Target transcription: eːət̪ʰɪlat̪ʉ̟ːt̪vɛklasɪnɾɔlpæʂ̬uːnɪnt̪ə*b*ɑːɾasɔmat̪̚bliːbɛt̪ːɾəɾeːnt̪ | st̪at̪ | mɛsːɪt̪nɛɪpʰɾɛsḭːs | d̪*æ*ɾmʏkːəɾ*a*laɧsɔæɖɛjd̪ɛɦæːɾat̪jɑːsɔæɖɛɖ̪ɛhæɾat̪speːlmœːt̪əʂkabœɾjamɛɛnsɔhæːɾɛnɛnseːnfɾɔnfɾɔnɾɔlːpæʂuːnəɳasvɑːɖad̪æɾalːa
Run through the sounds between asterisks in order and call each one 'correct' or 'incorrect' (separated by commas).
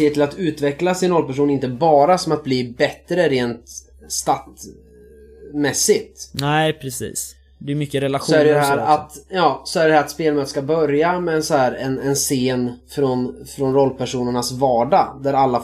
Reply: correct, incorrect, incorrect